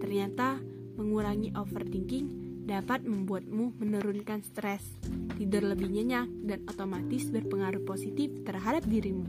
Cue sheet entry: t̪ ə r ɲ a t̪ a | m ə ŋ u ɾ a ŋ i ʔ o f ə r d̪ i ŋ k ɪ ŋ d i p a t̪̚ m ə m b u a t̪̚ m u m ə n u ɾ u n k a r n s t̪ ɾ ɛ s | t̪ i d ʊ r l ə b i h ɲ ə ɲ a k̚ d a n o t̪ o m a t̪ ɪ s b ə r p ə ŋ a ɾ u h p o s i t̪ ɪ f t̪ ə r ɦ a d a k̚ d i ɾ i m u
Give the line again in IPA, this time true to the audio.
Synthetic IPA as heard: t̪ ə r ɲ a t̪ a | m ə ŋ u ɾ a ŋ i ʔ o f ə r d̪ i ŋ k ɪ ŋ d a p a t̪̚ m ə m b u a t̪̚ m u m ə n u ɾ u n k a n s t̪ ɾ ɛ s | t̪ i d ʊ r l ə b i h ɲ ə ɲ a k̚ d a n o t̪ o m a t̪ ɪ s b ə r p ə ŋ a ɾ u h p o s i t̪ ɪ f t̪ ə r ɦ a d a p̚ d i ɾ i m u